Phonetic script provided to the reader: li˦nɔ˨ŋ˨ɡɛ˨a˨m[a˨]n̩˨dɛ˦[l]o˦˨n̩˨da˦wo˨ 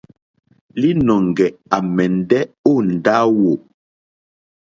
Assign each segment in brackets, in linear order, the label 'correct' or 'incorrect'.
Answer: incorrect, incorrect

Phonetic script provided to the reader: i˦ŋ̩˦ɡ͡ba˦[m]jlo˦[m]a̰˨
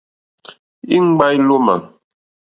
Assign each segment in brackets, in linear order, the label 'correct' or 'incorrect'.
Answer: incorrect, correct

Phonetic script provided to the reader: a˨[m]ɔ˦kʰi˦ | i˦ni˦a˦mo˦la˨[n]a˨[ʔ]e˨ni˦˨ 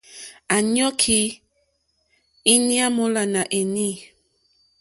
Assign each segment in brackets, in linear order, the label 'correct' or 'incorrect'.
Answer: incorrect, correct, correct

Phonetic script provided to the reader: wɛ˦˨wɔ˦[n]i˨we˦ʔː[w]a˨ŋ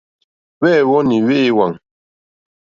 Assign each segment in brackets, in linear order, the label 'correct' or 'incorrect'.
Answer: correct, correct

